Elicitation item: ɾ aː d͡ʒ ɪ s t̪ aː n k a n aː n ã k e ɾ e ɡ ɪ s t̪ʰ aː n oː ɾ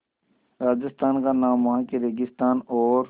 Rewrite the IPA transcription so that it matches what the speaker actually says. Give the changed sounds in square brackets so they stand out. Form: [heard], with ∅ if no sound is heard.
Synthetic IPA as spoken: ɾ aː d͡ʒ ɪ s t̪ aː n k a n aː [m] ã k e ɾ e ɡ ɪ s [t̪] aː n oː ɾ